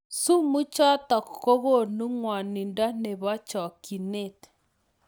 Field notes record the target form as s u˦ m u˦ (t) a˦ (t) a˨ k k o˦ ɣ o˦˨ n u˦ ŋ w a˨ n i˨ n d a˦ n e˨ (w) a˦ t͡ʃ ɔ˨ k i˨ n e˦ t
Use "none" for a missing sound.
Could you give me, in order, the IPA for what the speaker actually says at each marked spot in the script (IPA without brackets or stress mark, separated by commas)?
t͡ʃ, t, β